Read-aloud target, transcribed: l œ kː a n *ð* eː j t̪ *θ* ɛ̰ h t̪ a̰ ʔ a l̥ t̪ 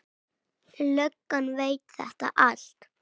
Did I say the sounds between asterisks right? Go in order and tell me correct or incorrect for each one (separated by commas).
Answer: incorrect, correct